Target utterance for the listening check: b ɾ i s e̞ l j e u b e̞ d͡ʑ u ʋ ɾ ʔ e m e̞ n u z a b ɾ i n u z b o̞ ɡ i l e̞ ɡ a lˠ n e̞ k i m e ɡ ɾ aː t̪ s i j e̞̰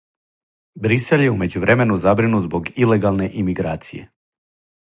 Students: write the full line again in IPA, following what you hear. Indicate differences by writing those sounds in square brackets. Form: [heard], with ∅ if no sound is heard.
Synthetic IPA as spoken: b ɾ i s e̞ l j e u [m] e̞ d͡ʑ u ʋ ɾ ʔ e m e̞ n u z a b ɾ i n u z b o̞ ɡ i l e̞ ɡ a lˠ n e̞ [ʔ] i m [i] ɡ ɾ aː t̪ s i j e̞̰